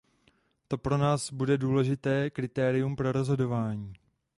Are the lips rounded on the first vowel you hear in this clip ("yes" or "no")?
yes